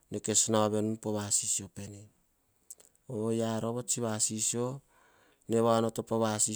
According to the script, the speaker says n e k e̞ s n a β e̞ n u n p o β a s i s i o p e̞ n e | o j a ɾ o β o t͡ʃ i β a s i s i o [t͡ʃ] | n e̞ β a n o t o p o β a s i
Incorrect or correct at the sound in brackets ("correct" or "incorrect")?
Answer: incorrect